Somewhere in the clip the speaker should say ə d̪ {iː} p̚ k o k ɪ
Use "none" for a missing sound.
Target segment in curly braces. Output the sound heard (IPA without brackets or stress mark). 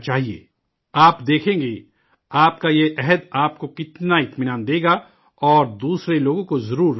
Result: aː